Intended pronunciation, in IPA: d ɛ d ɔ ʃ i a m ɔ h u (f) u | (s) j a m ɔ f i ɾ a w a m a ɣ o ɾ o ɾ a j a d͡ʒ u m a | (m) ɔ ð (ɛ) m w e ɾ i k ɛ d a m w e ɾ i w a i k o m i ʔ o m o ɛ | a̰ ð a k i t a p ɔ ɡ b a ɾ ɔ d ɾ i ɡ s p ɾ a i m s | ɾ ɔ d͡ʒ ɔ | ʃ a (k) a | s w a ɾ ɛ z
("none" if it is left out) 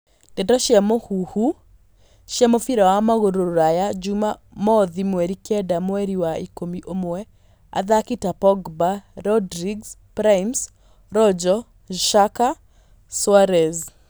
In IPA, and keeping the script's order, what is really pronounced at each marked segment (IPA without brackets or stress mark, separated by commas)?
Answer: h, ʃ, m, i, k